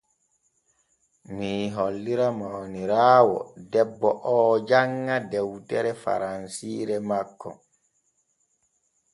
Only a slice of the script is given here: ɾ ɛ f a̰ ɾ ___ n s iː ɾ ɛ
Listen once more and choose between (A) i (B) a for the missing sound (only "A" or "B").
B